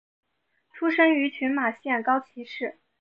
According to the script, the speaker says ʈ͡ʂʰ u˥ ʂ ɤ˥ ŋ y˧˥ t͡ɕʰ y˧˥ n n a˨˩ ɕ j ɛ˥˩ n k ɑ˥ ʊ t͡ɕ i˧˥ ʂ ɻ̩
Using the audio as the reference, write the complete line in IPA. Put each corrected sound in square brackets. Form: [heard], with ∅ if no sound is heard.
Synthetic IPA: ʈ͡ʂʰ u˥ ʂ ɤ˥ ŋ y˧˥ t͡ɕʰ y˧˥ n [m] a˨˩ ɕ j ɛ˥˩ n k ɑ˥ ʊ [t͡ɕʰ] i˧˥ ʂ ɻ̩